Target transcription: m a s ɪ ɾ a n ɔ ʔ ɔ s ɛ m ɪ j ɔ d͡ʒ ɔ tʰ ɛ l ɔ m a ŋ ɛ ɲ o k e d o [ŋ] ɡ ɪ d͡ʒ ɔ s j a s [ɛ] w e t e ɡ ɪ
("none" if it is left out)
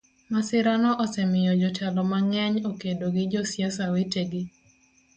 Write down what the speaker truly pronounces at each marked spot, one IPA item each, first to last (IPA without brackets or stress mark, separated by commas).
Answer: none, a